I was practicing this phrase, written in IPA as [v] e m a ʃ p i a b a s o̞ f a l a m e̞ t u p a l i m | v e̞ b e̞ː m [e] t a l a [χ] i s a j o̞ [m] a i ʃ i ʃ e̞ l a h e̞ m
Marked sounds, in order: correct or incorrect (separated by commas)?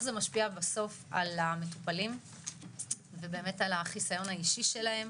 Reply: incorrect, correct, correct, incorrect